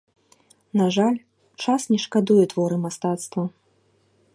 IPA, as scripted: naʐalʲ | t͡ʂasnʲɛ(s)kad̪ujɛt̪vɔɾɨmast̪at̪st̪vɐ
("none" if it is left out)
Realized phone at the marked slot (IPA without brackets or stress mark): ʂ